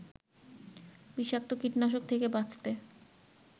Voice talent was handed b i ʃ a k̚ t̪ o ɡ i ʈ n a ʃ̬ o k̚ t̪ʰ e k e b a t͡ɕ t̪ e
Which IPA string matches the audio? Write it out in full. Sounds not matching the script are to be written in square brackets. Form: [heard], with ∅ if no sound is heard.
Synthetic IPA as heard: b i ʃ a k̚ t̪ o [k] i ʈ n a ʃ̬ o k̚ t̪ʰ e k e b a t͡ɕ t̪ e